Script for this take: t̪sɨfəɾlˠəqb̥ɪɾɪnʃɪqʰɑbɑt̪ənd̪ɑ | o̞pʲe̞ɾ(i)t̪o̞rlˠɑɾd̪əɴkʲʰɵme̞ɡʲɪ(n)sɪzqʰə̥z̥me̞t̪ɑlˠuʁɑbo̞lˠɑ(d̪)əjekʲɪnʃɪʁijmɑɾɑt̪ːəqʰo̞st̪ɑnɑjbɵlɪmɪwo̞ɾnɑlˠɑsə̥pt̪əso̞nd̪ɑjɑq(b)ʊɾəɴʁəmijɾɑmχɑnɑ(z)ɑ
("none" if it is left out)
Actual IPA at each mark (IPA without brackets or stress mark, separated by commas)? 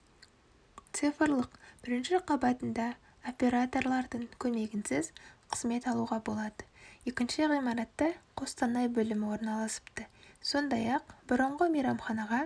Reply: a, n, d̪, b, ʁ